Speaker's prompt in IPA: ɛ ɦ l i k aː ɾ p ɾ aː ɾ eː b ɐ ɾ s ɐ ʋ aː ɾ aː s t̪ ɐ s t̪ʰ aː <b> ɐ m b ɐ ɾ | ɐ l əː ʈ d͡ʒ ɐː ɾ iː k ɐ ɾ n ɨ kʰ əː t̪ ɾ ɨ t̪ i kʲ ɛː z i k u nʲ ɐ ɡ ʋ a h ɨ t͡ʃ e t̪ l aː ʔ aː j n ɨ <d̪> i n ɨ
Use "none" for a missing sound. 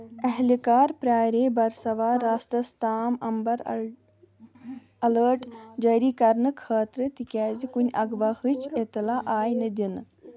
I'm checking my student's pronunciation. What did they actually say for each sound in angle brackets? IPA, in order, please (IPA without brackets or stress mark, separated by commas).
m, d̪